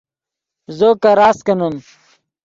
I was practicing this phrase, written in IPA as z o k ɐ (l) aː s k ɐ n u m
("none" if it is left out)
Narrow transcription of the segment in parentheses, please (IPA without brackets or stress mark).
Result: ɾ